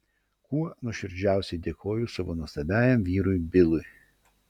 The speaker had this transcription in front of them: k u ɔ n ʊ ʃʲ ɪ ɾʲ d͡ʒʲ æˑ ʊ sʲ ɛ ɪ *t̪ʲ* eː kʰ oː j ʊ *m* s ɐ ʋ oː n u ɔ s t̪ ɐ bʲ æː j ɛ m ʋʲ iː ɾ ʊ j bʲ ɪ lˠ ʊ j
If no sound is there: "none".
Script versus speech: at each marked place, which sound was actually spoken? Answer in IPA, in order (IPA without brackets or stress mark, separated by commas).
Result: d̪ʲ, none